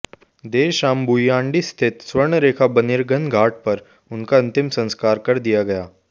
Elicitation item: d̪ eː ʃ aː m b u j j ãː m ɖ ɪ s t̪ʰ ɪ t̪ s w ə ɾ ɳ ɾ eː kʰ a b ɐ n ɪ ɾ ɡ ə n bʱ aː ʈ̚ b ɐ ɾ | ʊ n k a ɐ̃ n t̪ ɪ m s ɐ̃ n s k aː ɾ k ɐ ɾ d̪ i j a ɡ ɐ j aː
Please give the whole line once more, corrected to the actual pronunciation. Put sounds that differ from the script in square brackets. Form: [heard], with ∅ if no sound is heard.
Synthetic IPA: d̪ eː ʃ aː m b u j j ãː [ɳ] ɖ [i] s t̪ʰ ɪ t̪ s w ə ɾ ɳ ɾ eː kʰ a b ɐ n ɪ ɾ ɡ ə n [ɡʱ] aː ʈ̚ [p] ɐ ɾ | ʊ n k a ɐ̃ n t̪ ɪ m s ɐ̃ n s k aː ɾ k ɐ ɾ d̪ i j a ɡ ɐ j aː